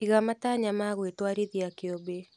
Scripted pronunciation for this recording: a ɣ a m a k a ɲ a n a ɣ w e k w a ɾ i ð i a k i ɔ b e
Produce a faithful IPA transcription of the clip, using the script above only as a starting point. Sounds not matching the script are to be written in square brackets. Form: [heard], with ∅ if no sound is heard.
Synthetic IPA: [i] ɣ a m a [t] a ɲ a [m] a ɣ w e [t] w a ɾ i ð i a k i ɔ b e